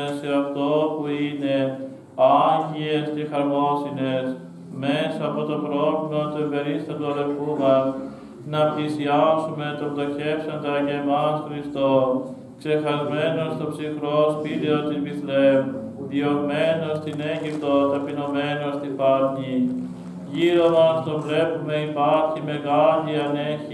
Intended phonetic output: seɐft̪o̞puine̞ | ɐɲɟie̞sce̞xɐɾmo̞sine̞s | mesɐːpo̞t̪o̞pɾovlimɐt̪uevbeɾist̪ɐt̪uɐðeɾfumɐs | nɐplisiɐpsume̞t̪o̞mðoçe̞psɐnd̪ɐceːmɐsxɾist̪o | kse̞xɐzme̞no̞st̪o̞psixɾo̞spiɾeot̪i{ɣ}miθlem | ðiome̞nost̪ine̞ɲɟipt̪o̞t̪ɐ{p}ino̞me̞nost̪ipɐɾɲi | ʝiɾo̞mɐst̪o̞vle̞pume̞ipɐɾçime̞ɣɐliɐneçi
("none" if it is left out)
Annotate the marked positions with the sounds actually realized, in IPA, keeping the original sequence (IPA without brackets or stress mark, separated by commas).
z, p